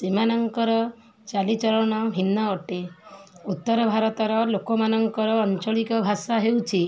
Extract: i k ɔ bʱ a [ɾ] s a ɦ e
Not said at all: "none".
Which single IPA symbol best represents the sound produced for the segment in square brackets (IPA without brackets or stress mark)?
none